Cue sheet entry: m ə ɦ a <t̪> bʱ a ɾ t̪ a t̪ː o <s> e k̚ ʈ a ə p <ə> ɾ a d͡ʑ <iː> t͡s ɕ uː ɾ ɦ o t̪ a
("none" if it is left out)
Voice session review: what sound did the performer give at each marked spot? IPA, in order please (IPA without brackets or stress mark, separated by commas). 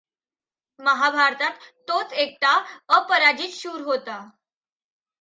none, t͡s, ə, iː